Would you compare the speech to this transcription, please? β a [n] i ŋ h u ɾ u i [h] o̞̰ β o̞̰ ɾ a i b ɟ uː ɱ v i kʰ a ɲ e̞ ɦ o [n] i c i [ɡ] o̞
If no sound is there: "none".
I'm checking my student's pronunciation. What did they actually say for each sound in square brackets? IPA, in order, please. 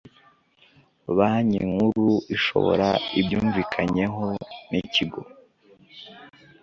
ɲ, ʃ, n, ɡ

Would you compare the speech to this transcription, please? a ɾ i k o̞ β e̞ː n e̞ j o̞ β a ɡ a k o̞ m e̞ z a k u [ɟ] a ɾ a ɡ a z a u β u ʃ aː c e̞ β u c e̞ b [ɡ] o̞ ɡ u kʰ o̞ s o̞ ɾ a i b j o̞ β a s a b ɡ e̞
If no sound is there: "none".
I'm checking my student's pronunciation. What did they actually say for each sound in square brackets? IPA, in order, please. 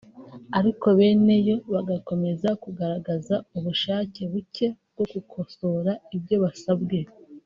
ɡ, ɡ

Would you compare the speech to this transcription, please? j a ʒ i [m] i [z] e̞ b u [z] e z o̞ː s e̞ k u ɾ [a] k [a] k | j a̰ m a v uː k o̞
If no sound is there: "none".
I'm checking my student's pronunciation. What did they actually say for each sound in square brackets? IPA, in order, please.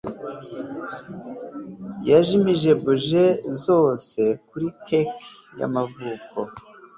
m, ʒ, ʒ, i, e

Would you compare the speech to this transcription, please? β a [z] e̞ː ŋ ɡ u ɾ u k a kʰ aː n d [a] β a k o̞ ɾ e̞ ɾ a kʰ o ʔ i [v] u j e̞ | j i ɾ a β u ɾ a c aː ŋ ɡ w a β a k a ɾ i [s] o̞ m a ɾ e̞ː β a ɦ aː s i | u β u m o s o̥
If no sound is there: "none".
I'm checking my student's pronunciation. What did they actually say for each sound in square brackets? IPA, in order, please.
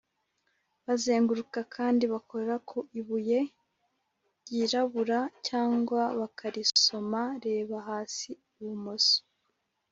z, i, β, s

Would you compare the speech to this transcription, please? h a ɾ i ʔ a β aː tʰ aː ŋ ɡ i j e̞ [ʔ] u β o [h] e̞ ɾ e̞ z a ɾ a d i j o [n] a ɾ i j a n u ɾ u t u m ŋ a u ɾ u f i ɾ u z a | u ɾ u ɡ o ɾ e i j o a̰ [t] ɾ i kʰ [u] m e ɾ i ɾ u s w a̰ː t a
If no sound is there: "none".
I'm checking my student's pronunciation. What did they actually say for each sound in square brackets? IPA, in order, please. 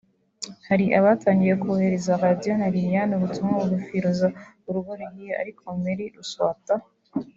k, h, n, none, o

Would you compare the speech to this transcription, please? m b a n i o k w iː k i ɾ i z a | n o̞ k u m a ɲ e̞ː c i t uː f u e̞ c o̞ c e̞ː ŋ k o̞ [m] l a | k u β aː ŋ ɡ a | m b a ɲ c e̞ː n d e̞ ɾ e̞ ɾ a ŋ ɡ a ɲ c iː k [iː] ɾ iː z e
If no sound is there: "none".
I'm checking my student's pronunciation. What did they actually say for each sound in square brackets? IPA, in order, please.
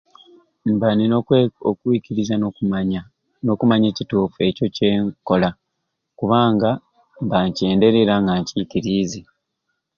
none, i

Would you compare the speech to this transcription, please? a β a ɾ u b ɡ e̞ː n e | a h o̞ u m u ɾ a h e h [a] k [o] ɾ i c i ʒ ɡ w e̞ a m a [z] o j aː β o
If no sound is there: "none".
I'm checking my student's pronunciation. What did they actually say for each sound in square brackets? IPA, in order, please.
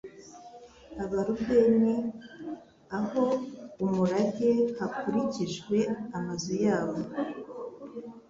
a, u, z

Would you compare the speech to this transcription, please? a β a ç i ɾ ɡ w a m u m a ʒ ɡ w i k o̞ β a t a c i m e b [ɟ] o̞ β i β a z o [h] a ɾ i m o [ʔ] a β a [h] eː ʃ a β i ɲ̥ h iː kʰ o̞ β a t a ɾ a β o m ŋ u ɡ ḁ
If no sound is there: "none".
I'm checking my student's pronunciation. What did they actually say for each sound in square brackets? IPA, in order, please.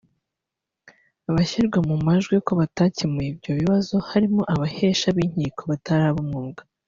ɟ, h, ʔ, h

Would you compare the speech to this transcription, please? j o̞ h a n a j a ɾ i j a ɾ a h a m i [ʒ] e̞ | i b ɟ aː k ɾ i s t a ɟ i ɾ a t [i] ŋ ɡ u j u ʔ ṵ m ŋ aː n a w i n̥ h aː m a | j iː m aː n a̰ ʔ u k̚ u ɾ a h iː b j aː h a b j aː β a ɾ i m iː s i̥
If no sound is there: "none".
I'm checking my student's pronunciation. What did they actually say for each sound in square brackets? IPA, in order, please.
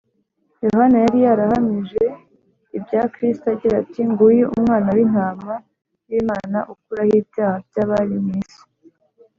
ʒ, i

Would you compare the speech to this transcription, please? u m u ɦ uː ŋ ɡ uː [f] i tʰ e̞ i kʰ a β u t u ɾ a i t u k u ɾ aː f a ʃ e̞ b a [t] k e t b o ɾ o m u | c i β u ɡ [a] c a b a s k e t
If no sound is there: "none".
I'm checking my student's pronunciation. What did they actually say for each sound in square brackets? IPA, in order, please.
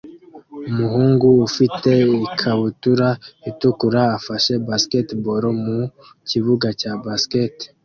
f, s, a

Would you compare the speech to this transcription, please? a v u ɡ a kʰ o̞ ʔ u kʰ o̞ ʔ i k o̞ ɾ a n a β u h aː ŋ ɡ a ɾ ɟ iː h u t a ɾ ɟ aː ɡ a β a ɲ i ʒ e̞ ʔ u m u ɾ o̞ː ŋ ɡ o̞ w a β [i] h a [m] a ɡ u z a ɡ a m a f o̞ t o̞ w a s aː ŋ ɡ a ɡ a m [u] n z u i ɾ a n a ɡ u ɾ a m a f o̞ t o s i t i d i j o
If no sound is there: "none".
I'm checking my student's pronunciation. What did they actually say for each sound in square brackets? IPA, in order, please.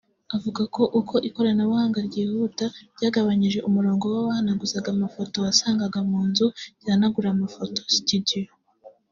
a, n, uː

